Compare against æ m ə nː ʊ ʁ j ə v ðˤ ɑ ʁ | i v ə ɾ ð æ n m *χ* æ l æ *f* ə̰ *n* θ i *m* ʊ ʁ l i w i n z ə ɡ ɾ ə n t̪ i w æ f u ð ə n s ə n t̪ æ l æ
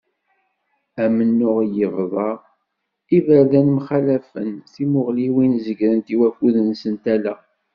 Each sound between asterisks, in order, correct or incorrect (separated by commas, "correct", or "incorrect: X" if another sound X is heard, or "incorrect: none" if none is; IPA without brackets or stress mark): correct, correct, correct, correct